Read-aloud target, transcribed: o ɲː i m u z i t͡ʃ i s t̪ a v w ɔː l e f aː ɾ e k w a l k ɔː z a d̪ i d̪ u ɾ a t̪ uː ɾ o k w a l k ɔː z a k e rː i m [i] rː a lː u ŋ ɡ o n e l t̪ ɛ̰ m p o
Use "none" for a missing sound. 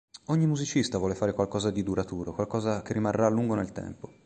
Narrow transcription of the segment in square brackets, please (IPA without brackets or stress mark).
a